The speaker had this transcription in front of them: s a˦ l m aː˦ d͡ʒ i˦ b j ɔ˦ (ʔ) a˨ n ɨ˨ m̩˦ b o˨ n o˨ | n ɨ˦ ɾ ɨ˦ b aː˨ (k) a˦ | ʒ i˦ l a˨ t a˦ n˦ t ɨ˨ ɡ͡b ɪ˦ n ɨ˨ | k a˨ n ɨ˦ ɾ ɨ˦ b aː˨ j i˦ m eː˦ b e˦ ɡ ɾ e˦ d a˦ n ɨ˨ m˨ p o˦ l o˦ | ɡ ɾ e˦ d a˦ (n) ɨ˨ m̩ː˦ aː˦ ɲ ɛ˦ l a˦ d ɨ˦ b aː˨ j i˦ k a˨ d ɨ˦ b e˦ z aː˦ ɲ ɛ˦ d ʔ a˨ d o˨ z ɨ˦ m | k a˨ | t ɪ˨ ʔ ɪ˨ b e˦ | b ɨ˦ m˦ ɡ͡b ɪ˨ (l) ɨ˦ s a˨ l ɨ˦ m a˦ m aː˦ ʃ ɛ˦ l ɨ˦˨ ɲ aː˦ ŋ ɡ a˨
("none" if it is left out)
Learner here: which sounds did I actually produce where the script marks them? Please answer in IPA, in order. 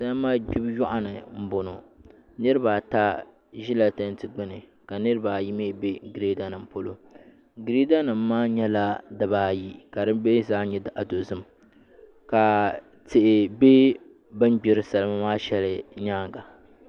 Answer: ʔ, t, n, ɾ

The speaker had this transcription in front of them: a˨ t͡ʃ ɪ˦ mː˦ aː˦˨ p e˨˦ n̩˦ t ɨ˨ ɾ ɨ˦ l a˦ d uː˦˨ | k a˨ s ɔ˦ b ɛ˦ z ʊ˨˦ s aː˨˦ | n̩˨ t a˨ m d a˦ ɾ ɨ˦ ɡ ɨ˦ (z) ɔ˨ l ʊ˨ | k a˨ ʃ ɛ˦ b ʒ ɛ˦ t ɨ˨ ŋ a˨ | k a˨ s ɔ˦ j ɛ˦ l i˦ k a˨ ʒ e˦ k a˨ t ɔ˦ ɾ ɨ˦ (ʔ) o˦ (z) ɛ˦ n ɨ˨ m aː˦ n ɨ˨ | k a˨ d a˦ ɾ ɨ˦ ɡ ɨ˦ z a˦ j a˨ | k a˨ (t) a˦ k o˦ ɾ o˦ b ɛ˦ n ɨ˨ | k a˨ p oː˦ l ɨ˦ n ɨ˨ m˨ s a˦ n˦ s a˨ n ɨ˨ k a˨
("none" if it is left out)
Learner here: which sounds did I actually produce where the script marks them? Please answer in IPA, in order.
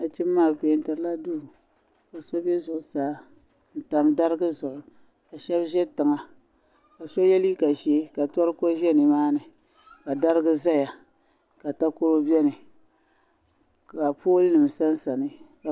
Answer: z, k, ʒ, t

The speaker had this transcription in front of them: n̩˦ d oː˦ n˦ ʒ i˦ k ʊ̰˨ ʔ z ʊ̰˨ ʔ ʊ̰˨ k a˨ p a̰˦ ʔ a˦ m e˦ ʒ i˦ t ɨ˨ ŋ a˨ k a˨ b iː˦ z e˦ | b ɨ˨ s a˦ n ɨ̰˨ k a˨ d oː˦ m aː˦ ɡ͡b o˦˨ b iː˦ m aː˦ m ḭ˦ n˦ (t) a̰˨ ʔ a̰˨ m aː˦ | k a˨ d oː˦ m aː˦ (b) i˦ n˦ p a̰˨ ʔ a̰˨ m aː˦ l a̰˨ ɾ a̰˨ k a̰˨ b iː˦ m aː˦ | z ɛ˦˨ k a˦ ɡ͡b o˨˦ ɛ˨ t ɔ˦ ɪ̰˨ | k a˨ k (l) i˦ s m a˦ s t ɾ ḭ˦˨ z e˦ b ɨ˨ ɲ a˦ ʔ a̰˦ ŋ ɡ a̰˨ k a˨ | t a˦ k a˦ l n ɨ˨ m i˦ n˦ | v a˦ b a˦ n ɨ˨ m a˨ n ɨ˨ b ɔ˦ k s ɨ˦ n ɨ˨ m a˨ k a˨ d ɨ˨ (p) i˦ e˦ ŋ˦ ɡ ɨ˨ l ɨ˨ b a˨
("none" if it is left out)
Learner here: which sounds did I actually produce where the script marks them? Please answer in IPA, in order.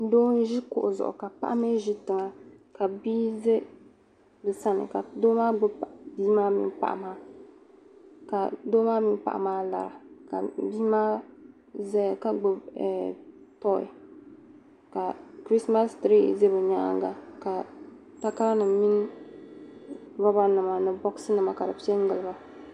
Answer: p, m, ɾ, p

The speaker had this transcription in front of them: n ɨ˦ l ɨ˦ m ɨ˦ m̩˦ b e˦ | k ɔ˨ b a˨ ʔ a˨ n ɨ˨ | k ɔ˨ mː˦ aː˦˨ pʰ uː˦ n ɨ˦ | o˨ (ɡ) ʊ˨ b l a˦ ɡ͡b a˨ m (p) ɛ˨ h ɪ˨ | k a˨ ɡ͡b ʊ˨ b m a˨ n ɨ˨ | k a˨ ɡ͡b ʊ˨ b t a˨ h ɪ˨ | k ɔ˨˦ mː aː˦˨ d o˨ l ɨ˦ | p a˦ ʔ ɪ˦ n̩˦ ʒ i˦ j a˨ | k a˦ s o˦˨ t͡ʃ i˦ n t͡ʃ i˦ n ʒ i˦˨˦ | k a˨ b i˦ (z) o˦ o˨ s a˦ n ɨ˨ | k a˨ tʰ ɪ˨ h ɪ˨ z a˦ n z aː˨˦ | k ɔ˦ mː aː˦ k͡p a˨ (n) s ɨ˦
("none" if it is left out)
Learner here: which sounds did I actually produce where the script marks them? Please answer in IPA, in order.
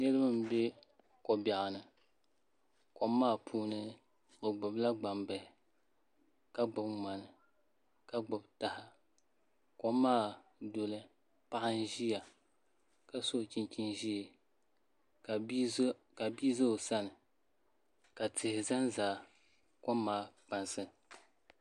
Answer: ɡ͡b, b, z, n

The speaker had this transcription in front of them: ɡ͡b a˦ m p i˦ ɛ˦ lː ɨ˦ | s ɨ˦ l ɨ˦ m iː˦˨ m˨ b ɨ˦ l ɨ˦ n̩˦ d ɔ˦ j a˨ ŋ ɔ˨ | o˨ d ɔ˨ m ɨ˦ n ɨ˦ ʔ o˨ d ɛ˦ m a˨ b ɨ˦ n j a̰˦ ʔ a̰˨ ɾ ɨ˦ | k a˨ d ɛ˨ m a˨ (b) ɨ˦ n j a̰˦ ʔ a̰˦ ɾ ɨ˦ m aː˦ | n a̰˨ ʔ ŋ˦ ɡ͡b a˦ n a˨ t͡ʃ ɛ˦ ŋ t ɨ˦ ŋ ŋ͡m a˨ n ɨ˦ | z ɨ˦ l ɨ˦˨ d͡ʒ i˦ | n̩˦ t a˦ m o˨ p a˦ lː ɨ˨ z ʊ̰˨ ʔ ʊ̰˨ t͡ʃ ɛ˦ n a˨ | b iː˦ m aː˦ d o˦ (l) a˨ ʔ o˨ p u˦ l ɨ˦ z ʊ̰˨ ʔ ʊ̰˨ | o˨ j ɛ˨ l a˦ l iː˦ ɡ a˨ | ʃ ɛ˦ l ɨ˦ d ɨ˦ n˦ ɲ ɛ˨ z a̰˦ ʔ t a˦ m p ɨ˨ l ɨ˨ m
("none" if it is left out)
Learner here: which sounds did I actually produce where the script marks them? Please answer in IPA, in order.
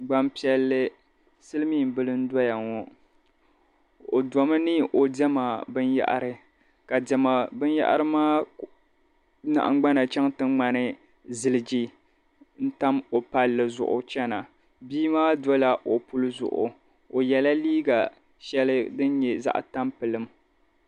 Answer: b, l

